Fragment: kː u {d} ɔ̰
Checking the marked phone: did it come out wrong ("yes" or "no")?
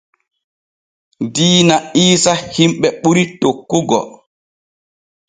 yes